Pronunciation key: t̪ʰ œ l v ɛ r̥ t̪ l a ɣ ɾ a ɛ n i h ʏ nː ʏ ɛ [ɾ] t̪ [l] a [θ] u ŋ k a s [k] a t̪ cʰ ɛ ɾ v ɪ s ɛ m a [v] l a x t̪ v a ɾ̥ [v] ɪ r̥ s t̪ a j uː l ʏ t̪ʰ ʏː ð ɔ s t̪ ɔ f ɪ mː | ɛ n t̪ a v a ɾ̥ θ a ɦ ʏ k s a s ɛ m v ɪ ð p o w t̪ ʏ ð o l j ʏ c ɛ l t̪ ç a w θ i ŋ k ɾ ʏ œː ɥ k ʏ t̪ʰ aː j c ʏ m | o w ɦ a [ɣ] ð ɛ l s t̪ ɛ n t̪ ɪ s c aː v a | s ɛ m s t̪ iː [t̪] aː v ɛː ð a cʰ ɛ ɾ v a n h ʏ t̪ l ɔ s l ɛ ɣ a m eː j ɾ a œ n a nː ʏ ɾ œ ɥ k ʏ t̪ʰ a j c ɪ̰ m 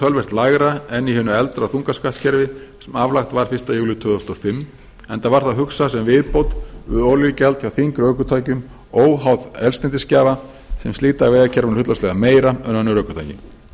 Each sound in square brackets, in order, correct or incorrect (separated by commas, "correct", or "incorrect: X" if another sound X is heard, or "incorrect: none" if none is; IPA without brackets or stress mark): incorrect: l, incorrect: ɾ, correct, correct, correct, incorrect: f, incorrect: w, correct